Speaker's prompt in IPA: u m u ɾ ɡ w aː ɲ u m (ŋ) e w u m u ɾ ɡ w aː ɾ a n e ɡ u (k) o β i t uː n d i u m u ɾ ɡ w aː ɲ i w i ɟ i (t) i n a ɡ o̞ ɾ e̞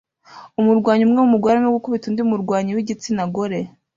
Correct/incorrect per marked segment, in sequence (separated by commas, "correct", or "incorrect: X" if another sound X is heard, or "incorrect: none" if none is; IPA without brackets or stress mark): correct, correct, incorrect: t͡s